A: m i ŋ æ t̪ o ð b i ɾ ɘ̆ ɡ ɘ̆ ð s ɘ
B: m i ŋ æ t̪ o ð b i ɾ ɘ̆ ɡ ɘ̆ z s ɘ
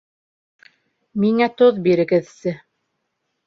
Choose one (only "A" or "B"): A